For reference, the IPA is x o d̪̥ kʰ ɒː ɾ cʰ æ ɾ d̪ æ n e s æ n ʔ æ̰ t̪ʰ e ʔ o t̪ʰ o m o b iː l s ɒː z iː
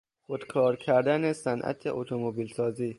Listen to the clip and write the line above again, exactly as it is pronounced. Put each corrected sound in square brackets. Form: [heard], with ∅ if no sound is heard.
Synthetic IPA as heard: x o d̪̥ kʰ ɒː ɾ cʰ æ ɾ d̪ æ n e s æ n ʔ æ̰ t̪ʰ e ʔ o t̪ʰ o m o b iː l s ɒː z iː